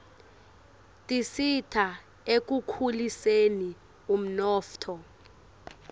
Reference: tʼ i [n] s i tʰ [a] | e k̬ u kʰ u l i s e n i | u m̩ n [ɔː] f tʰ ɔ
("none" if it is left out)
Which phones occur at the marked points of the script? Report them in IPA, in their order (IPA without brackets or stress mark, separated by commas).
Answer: none, a, ɔː